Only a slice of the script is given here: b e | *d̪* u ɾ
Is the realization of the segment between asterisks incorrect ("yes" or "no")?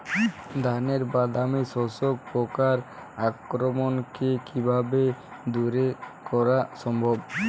no